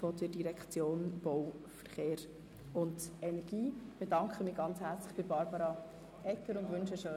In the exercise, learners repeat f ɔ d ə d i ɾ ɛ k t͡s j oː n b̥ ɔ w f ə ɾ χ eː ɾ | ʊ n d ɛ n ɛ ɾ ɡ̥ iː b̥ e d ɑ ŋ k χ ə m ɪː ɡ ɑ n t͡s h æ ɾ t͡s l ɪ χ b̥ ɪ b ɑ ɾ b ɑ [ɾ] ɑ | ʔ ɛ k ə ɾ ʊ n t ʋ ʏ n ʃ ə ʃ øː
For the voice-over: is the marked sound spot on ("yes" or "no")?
yes